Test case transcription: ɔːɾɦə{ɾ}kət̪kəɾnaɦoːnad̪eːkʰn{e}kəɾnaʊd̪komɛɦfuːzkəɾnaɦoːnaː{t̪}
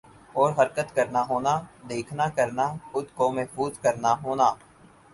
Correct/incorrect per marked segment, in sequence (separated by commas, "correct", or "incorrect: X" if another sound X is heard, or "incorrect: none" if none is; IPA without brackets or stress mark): correct, incorrect: a, incorrect: none